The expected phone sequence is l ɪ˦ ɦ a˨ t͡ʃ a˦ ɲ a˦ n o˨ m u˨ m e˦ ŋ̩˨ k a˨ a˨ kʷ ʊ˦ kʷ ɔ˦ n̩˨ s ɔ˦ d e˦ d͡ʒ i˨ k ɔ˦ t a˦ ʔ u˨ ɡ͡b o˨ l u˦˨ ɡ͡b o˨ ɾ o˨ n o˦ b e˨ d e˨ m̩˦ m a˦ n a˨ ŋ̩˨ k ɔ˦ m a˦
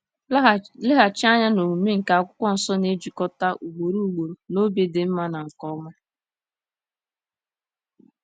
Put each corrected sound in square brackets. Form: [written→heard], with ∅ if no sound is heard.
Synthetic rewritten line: l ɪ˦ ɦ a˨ t͡ʃ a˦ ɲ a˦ n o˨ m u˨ m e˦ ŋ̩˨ k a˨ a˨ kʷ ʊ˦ kʷ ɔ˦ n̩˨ s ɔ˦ [d→n] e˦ d͡ʒ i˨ k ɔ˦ t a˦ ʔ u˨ ɡ͡b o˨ [l→ɾ] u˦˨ ɡ͡b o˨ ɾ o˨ n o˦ b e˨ d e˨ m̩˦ m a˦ n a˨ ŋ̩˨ k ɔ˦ m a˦